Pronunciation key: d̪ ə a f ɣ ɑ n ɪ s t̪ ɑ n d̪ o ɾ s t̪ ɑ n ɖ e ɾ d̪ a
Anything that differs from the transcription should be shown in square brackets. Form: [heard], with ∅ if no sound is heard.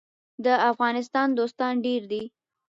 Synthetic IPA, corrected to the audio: d̪ ə a f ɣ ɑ n ɪ s t̪ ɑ n d̪ o [∅] s t̪ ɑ n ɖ e ɾ d̪ [i]